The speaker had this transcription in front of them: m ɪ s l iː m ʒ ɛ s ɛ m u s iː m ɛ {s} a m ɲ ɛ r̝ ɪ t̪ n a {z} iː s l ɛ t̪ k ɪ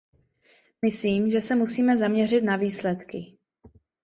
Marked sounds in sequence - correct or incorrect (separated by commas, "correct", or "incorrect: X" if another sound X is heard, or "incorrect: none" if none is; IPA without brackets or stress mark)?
incorrect: z, incorrect: v